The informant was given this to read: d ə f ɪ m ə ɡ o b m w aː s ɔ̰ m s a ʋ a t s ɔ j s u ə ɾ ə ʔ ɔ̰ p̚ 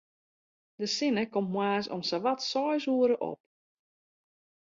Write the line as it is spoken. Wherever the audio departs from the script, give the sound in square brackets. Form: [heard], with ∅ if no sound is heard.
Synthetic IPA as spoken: d ə [s] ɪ [n] ə [k] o [m] m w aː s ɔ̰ m s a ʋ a t s ɔ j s u ə ɾ ə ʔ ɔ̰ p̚